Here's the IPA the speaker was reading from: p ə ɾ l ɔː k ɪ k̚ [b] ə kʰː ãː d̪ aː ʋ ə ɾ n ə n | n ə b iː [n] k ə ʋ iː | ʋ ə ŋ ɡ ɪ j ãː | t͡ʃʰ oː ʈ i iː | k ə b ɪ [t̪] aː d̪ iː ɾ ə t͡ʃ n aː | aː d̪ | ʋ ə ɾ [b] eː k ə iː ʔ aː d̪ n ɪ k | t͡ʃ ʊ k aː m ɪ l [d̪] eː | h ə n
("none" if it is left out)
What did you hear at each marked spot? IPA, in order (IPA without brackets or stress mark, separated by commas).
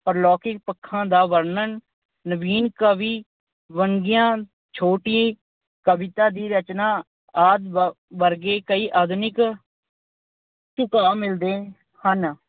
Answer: p, n, t̪, ɡ, d̪